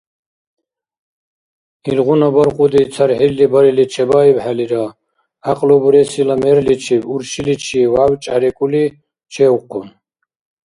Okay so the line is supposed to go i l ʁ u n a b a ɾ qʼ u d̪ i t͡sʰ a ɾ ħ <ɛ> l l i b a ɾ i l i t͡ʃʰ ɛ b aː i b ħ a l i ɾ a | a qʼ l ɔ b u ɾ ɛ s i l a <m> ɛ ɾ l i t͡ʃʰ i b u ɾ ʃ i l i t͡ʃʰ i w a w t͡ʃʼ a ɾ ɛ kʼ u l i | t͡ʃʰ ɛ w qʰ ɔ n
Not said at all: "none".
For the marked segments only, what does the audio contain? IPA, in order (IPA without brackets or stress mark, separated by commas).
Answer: i, m